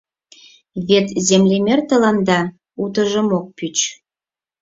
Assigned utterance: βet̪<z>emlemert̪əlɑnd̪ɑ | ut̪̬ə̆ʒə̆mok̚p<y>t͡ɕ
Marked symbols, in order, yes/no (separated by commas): yes, yes